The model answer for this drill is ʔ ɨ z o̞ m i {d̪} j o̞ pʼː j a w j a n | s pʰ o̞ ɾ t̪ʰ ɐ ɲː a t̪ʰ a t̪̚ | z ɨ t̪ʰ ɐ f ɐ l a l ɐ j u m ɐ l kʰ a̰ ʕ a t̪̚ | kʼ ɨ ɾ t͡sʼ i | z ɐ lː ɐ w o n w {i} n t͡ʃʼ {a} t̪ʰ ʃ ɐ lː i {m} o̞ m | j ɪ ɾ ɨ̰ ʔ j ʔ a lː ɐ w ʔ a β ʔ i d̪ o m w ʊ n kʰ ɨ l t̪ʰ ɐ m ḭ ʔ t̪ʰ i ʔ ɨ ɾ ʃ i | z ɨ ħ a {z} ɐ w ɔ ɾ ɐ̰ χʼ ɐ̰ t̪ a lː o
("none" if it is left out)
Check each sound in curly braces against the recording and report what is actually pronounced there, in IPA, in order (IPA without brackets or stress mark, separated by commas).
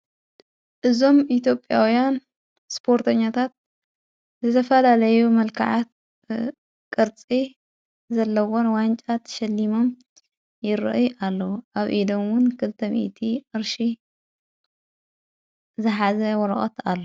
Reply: t̪, a, a, m, z